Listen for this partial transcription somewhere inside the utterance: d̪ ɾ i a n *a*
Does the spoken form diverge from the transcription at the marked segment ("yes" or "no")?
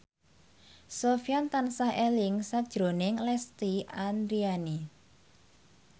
yes